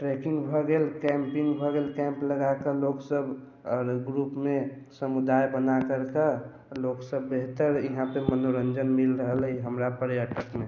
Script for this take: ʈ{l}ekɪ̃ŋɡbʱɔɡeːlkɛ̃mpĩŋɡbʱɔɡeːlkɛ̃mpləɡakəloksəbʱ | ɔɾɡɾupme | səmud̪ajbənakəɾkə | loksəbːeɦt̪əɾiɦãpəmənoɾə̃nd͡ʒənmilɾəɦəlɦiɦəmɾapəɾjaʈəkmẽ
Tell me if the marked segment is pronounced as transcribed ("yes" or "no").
no